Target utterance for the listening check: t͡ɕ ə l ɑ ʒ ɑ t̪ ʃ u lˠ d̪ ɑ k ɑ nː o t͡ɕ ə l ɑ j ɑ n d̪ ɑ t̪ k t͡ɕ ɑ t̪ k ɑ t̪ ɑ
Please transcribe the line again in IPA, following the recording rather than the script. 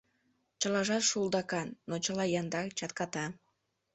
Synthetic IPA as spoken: t͡ɕ ə l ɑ ʒ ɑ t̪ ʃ u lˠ d̪ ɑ k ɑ nː o t͡ɕ ə l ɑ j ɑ n d̪ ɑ k t͡ɕ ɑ t̪ k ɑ t̪ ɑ